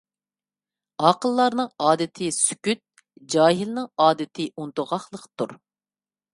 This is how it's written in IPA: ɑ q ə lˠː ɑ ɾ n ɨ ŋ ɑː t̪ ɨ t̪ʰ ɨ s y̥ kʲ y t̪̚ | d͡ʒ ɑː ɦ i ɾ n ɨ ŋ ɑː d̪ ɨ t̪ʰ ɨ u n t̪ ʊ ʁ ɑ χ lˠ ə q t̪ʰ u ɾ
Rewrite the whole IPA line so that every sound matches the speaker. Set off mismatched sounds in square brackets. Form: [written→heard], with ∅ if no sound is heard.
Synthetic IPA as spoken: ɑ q ə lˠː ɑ ɾ n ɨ ŋ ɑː [t̪→d̪] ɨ t̪ʰ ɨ s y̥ kʲ y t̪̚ | d͡ʒ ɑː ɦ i [ɾ→l] n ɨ ŋ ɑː d̪ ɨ t̪ʰ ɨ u n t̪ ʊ ʁ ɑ χ lˠ ə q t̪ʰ u ɾ